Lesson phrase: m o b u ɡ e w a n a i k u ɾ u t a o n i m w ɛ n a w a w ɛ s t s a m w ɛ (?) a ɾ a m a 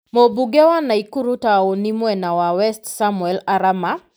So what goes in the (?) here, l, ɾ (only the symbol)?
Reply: l